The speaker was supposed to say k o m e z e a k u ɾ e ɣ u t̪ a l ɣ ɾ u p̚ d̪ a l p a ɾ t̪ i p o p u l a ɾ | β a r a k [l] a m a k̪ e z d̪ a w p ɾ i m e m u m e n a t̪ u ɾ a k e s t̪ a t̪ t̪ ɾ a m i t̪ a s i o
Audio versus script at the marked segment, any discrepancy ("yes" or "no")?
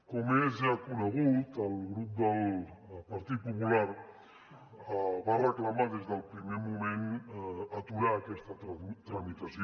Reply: no